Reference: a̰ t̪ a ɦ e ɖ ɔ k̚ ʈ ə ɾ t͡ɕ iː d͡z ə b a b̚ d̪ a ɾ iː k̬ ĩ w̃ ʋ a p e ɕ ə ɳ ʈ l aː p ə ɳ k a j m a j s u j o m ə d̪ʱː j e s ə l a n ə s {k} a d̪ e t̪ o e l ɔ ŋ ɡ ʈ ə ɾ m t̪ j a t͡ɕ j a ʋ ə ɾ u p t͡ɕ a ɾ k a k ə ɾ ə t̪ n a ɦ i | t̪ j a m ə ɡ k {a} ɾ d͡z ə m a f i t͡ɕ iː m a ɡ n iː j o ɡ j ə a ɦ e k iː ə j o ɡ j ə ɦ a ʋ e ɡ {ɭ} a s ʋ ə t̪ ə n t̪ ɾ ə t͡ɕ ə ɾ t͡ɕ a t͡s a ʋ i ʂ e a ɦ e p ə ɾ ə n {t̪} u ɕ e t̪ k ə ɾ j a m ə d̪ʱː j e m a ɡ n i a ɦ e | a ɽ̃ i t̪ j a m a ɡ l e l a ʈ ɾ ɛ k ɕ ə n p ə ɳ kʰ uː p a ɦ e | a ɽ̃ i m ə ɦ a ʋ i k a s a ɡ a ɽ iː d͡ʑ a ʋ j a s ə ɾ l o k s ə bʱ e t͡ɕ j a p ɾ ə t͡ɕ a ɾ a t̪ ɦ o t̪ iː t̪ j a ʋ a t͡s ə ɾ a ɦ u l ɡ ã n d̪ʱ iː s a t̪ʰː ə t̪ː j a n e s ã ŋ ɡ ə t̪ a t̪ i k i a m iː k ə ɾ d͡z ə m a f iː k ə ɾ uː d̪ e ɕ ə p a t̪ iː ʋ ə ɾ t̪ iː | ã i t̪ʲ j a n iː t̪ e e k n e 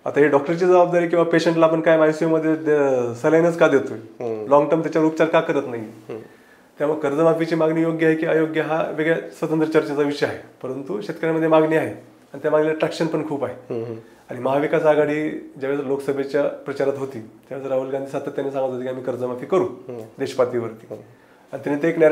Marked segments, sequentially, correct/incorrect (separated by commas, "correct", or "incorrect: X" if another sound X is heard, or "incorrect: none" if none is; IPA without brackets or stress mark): correct, incorrect: ə, correct, correct